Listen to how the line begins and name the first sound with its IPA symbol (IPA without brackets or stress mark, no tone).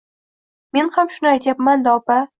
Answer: m